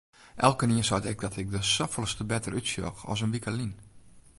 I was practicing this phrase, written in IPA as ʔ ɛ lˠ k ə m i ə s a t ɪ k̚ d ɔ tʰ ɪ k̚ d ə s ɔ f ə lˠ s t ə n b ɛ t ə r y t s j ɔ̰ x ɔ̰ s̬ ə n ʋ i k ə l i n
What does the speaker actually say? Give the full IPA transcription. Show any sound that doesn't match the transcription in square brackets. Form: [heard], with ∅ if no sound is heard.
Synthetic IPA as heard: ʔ ɛ lˠ k ə [n] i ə s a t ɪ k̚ d ɔ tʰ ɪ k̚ d ə s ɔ f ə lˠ s t ə [∅] b ɛ t ə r y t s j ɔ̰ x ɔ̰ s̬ ə n ʋ i k ə l i n